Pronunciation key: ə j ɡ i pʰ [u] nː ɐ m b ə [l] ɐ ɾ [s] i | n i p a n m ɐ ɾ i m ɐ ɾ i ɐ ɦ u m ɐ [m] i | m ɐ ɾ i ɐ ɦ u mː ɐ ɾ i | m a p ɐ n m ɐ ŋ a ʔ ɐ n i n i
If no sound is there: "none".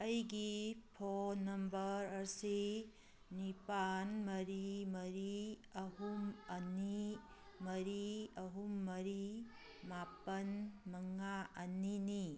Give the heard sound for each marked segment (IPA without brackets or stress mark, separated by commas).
o, ɾ, s, n